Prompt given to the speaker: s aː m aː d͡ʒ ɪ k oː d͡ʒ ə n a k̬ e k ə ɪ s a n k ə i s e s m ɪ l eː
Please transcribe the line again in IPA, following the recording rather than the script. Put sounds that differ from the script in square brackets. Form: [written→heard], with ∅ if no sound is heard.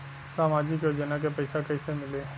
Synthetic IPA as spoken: s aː m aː d͡ʒ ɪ k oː d͡ʒ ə n a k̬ e [k→p] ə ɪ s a [n→∅] k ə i s e [s→∅] m ɪ l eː